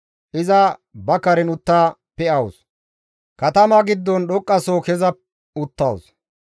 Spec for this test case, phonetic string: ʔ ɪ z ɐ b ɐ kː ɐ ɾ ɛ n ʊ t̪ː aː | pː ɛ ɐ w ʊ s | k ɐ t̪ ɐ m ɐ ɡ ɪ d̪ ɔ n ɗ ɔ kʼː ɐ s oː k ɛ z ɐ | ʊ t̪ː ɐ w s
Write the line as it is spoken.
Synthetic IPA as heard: ʔ ɪ z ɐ b ɐ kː ɐ ɾ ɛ n ʊ t̪ː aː | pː ɛ ɐ w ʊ s | k ɐ t̪ ɐ m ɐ ɡ ɪ d̪ː ɔ n ɗ ɔ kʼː ɐ s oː k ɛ z ɐ | ʊ t̪ː ɐ w s